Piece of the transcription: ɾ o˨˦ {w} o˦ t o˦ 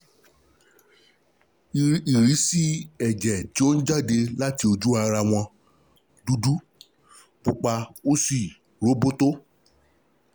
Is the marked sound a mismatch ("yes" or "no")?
yes